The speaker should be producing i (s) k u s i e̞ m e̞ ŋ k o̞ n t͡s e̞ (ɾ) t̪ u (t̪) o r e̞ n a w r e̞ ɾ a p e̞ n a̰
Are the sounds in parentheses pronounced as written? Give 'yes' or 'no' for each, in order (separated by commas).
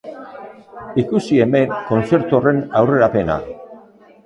no, yes, no